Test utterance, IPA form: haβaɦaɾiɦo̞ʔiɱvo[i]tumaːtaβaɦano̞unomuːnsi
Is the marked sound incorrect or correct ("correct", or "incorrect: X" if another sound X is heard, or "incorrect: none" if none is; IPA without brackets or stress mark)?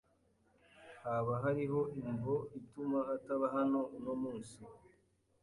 correct